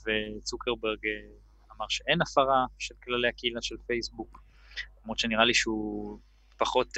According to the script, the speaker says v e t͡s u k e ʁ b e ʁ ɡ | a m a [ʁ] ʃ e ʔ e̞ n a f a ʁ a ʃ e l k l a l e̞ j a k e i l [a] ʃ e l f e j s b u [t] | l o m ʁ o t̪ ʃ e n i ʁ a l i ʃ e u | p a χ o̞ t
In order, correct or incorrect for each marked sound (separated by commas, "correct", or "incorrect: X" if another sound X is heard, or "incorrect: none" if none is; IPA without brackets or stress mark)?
correct, correct, incorrect: k